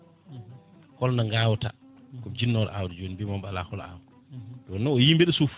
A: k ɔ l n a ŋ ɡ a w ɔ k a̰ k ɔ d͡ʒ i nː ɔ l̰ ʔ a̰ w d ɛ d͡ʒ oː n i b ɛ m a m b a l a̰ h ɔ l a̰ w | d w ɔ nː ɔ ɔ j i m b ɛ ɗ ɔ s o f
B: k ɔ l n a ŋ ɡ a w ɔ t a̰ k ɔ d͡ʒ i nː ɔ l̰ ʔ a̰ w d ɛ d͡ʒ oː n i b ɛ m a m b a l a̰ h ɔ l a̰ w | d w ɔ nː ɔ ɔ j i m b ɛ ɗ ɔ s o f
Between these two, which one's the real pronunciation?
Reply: B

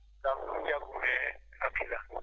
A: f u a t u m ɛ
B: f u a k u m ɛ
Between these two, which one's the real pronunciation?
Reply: B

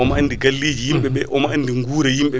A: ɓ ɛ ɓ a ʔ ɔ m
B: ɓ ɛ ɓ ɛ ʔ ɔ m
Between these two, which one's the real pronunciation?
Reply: B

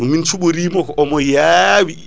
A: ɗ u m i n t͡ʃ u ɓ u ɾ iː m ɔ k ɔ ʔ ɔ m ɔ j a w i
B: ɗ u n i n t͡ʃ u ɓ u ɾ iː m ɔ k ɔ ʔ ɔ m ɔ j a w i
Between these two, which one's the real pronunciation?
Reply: A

